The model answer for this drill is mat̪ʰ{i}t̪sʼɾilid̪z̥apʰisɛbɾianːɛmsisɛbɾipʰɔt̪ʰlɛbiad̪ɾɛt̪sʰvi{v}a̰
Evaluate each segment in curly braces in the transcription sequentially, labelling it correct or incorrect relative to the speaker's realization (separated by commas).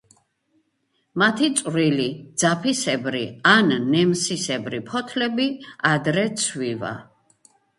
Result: correct, correct